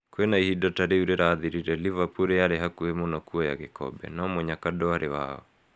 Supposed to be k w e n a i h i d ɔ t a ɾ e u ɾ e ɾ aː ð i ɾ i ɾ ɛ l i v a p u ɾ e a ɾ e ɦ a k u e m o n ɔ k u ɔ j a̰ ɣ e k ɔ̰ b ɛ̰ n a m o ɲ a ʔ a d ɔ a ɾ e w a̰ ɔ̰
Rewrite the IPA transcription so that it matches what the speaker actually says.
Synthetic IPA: k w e n a i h i d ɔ t a ɾ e u ɾ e ɾ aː ð i ɾ i ɾ ɛ l i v a p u ɾ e a ɾ e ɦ a k u e m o n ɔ k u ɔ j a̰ ɣ e k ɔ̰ b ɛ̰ n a m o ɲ a k a d ɔ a ɾ e w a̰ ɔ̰

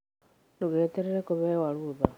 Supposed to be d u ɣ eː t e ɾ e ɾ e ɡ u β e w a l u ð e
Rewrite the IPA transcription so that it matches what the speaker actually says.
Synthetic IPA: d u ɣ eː t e ɾ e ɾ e k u β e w a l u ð a

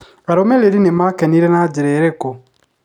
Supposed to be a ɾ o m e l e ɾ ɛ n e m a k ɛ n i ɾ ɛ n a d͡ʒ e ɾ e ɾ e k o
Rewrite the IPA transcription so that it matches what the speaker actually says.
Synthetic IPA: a ɾ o m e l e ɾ i n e m a k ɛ n i ɾ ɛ n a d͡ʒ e ɾ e ɾ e k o

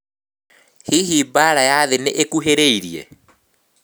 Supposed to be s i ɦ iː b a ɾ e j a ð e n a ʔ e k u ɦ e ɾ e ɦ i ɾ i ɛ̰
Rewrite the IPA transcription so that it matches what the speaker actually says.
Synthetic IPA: h i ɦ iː b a ɾ a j a ð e n e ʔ e k u ɦ e ɾ e i ɾ i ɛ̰

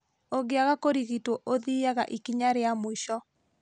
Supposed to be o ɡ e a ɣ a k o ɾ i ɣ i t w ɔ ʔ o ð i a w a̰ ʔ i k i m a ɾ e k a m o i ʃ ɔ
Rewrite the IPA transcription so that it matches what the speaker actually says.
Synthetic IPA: o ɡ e a ɣ a k o ɾ i ɣ i t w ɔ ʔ o ð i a ɣ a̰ ʔ i k i ɲ a ɾ e a m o i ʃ ɔ

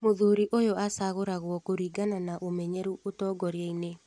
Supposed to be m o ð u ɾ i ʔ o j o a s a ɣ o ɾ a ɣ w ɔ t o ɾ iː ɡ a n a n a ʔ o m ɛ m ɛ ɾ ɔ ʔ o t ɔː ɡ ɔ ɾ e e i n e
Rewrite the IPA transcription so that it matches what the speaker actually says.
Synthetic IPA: m o ð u ɾ i ʔ o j o a s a ɣ o ɾ a ɣ w ɔ k o ɾ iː ɡ a n a n a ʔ o m ɛ ɲ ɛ ɾ u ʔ o t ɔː ɡ ɔ ɾ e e i n e

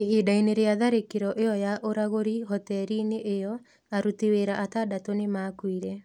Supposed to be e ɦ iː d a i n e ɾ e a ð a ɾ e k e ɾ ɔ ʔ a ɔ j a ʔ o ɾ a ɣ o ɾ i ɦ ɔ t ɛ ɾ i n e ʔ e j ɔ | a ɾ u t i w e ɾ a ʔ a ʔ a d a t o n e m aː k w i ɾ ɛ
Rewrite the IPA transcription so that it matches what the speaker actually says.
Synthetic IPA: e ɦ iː d a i n e ɾ e a ð a ɾ e k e ɾ ɔ ʔ e ɔ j a ʔ o ɾ a ɣ o ɾ i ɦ ɔ t ɛ ɾ i n e ʔ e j ɔ | a ɾ u t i w e ɾ a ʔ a t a d a t o n e m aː k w i ɾ ɛ

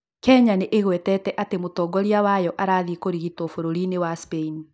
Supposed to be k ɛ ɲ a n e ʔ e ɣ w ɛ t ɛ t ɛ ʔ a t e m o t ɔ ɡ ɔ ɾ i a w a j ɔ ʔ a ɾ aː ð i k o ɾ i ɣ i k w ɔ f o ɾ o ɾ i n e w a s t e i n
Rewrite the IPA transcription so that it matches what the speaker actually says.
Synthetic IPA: k ɛ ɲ a n e ʔ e ɣ w ɛ t ɛ t ɛ ʔ a t e m o t ɔ ɡ ɔ ɾ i a w a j ɔ ʔ a ɾ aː ð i k o ɾ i ɣ i t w ɔ f o ɾ o ɾ i n e w a s p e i n

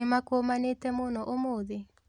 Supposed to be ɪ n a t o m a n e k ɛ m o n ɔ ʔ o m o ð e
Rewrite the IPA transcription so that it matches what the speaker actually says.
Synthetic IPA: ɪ m a k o m a n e t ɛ m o n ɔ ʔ o m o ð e

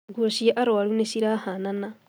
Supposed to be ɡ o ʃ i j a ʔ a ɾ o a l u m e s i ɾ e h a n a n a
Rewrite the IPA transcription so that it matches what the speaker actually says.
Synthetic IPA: ɡ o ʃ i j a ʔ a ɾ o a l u n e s i ɾ a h a n a n a

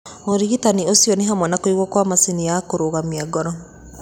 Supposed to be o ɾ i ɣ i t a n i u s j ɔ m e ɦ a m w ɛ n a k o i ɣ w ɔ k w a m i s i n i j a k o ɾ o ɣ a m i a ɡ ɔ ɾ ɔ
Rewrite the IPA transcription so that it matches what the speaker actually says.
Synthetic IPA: o ɾ i ɣ i t a n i o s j ɔ n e ɦ a m w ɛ n a k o i ɣ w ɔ k w a m a s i n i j a k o ɾ o ɣ a m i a ɡ ɔ ɾ ɔ

